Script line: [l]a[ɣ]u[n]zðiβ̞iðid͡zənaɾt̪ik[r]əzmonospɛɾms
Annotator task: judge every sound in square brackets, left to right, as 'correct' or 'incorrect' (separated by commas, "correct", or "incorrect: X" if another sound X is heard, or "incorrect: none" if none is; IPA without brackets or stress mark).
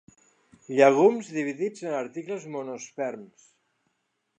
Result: incorrect: ʎ, correct, incorrect: m, incorrect: l